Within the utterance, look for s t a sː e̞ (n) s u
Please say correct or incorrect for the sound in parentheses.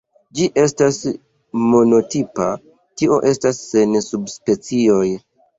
correct